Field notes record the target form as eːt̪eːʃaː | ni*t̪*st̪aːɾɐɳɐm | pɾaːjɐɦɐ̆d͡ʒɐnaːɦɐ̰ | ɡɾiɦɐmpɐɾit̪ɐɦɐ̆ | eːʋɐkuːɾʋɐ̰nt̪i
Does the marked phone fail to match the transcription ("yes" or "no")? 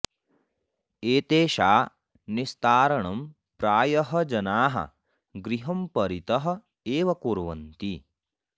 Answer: yes